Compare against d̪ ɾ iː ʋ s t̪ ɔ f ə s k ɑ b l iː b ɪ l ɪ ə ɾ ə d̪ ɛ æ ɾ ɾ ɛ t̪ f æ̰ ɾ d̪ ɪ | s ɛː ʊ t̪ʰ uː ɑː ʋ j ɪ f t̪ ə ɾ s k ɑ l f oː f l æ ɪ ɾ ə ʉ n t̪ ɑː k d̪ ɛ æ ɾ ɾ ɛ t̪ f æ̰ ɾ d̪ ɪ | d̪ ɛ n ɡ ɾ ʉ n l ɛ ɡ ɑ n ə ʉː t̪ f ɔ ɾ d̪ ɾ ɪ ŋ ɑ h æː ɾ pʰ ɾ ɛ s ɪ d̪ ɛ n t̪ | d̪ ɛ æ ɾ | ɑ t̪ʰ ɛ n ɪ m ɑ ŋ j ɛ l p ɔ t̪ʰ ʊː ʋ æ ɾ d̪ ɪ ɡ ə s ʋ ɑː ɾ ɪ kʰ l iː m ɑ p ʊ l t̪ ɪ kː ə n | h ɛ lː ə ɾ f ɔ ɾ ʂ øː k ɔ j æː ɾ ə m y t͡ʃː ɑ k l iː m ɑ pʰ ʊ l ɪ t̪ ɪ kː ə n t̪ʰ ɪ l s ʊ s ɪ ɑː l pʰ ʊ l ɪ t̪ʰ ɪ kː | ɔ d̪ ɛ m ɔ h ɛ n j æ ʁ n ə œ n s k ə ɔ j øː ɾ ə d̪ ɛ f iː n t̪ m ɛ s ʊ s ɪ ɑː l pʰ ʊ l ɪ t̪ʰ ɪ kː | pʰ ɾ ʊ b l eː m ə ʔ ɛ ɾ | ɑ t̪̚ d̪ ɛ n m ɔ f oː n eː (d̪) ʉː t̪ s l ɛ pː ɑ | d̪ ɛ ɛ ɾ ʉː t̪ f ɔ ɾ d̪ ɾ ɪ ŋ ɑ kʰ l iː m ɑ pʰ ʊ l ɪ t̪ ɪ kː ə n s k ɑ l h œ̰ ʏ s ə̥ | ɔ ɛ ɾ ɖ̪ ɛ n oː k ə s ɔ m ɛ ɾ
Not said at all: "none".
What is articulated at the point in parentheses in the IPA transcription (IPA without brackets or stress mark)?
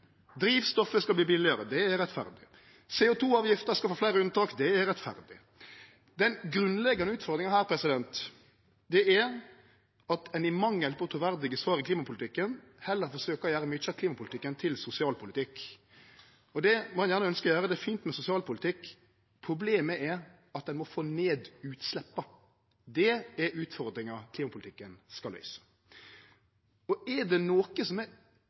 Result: d̪